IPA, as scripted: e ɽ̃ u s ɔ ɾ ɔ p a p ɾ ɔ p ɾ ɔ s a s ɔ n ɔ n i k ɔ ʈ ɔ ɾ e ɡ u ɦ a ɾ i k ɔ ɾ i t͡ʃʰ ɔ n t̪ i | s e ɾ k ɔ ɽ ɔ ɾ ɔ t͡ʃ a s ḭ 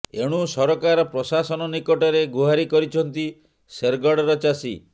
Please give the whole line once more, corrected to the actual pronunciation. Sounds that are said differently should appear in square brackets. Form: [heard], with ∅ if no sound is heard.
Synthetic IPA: e ɽ̃ u s ɔ ɾ ɔ [k] a [∅] ɾ ɔ p ɾ ɔ s a s ɔ n ɔ n i k ɔ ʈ ɔ ɾ e ɡ u ɦ a ɾ i k ɔ ɾ i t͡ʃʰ ɔ n t̪ i | s e ɾ [ɡ] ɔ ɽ ɔ ɾ ɔ t͡ʃ a s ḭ